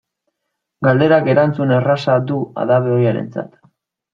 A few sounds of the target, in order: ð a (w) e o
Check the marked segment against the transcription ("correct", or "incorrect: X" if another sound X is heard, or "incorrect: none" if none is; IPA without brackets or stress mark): incorrect: β